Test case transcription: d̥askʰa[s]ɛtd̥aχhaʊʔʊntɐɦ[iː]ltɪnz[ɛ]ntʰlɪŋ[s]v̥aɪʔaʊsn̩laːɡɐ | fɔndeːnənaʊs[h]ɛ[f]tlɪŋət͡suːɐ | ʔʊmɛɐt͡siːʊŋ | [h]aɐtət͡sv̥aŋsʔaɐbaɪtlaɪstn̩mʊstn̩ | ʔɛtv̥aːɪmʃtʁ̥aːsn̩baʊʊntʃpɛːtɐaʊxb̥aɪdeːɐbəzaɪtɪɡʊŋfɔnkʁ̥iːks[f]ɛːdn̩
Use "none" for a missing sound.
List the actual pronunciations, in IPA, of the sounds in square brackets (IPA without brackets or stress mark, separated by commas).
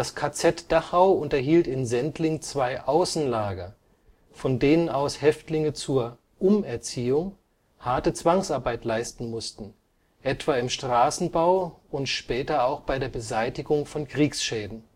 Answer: t͡s, iː, ɛ, t͡s, h, f, h, ʃ